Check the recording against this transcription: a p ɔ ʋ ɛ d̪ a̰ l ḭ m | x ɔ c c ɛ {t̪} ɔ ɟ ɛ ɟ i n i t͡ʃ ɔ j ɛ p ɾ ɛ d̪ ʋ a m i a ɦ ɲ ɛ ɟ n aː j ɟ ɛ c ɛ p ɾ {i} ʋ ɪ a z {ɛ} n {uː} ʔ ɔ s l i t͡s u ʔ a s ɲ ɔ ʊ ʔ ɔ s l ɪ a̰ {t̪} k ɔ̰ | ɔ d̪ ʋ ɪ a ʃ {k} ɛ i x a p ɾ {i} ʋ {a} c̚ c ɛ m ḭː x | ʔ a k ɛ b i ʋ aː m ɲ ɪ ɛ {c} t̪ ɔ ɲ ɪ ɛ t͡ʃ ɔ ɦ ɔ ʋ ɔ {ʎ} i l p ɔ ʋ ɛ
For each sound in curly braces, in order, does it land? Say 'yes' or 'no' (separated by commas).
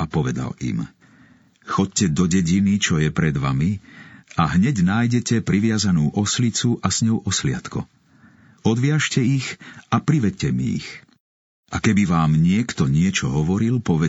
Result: no, yes, no, yes, yes, no, yes, no, no, no